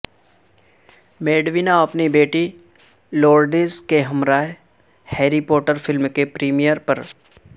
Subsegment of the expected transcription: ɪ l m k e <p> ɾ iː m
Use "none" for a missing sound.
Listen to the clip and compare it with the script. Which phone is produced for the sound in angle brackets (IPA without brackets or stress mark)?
p